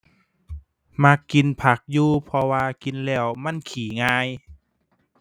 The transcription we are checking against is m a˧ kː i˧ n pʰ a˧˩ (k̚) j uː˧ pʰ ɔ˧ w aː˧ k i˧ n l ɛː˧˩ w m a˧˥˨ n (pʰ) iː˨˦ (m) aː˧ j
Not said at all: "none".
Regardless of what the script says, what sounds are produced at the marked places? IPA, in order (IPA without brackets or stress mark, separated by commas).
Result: k̚, kʰ, ŋ